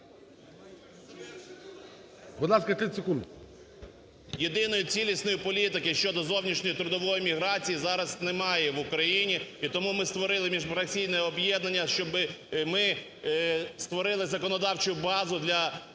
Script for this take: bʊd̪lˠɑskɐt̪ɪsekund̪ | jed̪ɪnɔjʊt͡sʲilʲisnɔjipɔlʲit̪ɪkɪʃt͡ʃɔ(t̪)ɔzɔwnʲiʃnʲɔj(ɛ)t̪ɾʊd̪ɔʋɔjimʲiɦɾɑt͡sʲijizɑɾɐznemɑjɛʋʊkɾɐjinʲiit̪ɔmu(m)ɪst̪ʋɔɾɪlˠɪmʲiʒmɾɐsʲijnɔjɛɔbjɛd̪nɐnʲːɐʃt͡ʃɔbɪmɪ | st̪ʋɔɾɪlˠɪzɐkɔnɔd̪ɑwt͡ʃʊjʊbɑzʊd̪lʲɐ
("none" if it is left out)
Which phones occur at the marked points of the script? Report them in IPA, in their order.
d̪, i, m

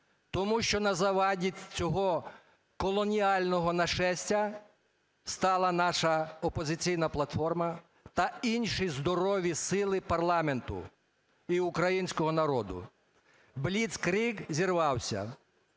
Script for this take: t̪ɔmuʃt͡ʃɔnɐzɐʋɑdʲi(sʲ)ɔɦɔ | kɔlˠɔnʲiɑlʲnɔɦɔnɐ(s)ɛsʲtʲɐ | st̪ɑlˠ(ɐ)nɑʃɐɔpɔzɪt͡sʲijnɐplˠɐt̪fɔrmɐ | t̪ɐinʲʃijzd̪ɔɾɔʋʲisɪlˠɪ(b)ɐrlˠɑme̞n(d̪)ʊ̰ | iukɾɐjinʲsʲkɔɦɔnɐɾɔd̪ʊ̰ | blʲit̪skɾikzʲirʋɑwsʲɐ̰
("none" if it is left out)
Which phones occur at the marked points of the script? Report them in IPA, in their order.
t͡sʲ, ʃ, ɐ, p, t̪

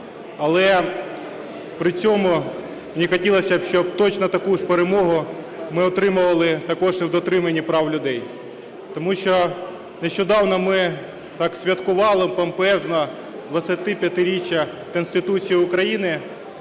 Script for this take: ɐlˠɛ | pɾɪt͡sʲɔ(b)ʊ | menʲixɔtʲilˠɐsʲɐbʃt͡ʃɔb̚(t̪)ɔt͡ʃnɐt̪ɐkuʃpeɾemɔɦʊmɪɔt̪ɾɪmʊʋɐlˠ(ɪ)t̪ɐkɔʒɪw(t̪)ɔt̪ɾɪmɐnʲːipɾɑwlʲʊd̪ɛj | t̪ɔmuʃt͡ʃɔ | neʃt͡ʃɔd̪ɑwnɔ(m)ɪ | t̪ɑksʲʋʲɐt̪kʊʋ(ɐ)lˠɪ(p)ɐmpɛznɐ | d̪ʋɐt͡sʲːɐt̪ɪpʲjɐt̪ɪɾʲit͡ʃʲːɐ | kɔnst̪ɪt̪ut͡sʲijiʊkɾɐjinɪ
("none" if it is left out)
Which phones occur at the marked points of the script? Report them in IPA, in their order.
m, t̪, ɪ, d̪, m, ɑ, p

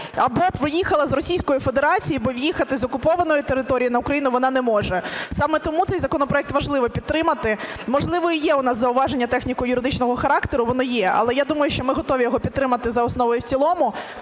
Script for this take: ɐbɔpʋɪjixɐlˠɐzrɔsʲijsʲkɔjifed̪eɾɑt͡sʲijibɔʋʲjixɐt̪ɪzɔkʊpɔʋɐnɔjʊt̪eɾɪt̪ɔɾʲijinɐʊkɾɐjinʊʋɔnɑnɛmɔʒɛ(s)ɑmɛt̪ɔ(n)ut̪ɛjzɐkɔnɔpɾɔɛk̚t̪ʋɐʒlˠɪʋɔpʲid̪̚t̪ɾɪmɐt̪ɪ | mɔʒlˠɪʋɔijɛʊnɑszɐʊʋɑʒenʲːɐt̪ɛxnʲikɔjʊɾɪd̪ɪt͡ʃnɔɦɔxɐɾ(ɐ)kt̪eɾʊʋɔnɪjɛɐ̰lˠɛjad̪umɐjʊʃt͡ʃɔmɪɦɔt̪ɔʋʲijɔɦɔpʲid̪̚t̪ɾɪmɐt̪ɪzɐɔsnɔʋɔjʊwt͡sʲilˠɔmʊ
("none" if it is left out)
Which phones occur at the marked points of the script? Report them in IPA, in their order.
s, m, ɑ

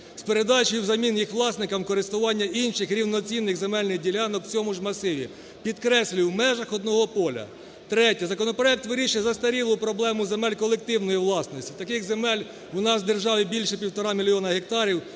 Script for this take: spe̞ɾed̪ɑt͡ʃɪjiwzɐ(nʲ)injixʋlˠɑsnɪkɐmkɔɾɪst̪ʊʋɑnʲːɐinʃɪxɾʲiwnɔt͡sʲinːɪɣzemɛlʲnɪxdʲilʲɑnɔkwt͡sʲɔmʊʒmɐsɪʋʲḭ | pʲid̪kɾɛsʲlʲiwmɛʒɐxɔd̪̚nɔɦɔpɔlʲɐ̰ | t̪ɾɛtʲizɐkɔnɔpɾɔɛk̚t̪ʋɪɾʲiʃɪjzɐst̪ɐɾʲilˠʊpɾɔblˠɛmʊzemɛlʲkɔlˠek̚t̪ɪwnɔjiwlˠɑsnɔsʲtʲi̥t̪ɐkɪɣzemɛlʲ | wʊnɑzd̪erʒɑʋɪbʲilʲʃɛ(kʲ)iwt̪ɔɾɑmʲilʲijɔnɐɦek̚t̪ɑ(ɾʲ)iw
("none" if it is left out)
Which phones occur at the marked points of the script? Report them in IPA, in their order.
mʲ, pʲ, ɾʲ

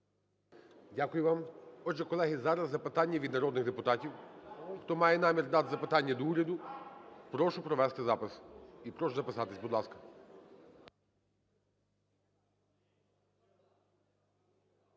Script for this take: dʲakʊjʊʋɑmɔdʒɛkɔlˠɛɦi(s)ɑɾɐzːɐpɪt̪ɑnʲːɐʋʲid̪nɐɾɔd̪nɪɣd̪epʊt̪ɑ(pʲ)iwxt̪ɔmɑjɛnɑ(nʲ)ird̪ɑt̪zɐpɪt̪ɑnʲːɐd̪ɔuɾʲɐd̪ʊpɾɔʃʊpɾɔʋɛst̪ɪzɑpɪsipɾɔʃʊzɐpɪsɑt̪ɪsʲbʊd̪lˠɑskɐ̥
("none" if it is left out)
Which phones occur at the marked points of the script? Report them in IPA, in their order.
z, tʲ, mʲ

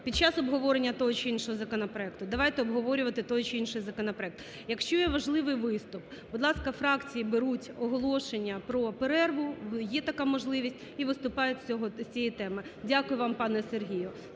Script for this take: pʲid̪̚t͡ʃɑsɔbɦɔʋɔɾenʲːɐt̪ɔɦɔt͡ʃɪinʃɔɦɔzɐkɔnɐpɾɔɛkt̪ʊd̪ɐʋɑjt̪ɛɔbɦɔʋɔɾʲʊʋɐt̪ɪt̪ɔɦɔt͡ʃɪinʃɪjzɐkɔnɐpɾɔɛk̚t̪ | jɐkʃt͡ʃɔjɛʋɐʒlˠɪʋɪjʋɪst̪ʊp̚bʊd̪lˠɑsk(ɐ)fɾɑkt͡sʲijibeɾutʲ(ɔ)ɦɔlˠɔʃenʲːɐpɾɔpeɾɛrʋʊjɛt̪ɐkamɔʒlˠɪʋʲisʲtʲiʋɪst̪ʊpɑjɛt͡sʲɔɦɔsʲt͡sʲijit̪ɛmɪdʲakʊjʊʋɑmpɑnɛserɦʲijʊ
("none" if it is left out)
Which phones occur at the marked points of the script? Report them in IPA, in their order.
ɐ, ɔ

